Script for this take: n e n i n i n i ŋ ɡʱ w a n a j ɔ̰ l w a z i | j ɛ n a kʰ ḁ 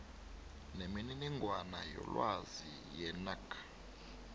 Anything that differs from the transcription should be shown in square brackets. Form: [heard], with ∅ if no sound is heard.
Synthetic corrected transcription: n e [m] i n i n i ŋ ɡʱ w a n a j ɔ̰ l w a z i | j ɛ n a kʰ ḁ